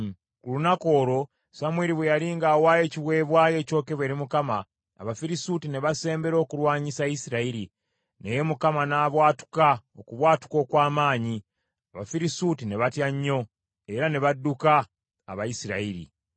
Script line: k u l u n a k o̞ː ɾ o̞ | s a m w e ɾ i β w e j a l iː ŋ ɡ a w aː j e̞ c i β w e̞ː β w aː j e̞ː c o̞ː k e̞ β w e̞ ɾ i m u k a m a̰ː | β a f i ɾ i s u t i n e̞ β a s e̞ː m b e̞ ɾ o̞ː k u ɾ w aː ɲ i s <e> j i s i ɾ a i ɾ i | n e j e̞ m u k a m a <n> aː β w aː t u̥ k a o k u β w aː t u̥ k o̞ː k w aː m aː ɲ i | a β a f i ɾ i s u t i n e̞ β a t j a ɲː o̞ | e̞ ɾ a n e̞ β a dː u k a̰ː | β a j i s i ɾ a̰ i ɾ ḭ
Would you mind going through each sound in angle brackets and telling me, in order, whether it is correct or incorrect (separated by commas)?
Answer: incorrect, correct